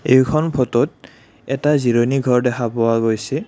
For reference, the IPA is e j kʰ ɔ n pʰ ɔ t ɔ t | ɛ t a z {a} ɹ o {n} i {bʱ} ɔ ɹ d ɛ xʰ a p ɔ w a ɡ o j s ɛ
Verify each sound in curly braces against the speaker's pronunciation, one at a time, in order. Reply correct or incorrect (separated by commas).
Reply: incorrect, correct, incorrect